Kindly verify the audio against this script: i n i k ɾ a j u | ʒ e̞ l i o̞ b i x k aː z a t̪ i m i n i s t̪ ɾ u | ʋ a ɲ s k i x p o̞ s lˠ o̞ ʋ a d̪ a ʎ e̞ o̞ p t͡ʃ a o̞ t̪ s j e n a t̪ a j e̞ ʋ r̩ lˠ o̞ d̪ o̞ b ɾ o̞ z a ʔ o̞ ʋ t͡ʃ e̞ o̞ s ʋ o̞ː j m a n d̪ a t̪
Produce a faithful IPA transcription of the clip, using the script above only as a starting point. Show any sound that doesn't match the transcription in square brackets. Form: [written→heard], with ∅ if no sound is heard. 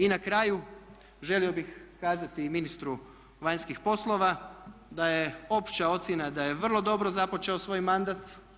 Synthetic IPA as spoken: i n [i→a] k ɾ a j u | ʒ e̞ l i o̞ b i x k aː z a t̪ i m i n i s t̪ ɾ u | ʋ a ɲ s k i x p o̞ s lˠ o̞ ʋ a d̪ a [ʎ→j] e̞ o̞ p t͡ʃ a o̞ t̪ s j e n a [t̪→d̪] a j e̞ ʋ r̩ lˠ o̞ d̪ o̞ b ɾ o̞ z a [ʔ→p] o̞ [ʋ→∅] t͡ʃ e̞ o̞ s ʋ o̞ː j m a n d̪ a t̪